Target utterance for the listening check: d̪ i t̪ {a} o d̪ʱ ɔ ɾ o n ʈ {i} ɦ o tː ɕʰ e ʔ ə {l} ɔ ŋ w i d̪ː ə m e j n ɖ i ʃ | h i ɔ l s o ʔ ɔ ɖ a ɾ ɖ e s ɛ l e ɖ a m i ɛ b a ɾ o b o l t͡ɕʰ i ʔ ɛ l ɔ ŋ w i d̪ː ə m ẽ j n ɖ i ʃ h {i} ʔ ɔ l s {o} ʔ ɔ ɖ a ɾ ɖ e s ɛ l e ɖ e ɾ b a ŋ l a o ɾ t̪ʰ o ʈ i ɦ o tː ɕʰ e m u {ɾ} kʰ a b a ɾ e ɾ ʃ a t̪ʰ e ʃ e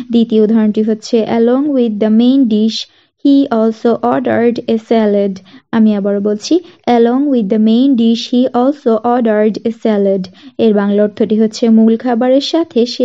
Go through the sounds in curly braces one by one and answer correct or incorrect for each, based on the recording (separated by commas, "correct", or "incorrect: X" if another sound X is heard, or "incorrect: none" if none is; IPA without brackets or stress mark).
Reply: incorrect: i, correct, correct, correct, correct, incorrect: l